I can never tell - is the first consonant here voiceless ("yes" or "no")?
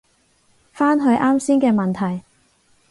yes